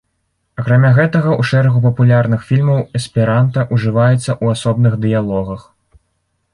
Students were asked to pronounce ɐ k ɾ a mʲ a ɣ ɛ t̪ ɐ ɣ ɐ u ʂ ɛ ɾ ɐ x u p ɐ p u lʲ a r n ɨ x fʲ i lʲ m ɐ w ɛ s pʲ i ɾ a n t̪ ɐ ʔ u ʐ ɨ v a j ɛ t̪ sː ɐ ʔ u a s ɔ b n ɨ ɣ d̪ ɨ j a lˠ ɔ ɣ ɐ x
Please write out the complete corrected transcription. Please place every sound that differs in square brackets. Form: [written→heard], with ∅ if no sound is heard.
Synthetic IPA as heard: ɐ k ɾ a mʲ a ɣ ɛ t̪ ɐ ɣ ɐ u ʂ ɛ ɾ ɐ [x→ɣ] u p ɐ p u lʲ a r n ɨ x fʲ i lʲ m ɐ w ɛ s pʲ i ɾ a n t̪ ɐ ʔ u ʐ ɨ v a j ɛ t̪ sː ɐ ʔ u a s ɔ b n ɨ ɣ d̪ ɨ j a lˠ ɔ ɣ ɐ x